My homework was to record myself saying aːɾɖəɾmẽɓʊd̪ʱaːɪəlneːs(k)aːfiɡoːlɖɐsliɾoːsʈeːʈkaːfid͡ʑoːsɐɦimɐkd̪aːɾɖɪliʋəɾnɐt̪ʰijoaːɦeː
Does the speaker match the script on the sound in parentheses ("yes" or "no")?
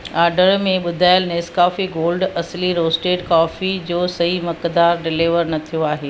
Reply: yes